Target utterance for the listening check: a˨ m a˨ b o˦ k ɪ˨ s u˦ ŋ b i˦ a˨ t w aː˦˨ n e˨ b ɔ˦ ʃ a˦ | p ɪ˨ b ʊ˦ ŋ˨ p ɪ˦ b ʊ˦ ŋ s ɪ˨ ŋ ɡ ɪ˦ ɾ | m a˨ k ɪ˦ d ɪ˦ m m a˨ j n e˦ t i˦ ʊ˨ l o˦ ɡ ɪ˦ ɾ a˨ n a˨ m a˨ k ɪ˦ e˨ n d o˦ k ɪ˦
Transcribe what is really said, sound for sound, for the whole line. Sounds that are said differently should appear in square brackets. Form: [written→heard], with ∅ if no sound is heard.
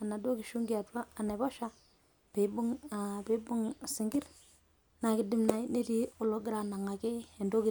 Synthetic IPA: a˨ [m→n] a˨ [b→d] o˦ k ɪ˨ [s→ʃ] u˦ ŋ [b→ɡ] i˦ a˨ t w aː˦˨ n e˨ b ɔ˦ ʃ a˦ | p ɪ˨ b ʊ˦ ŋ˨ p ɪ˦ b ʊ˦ ŋ s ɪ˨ ŋ ɡ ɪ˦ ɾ | [m→n] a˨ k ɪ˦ d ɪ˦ m [m→n] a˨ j n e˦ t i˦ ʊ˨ l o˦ ɡ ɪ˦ ɾ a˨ n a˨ [m→ŋ] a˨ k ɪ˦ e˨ n d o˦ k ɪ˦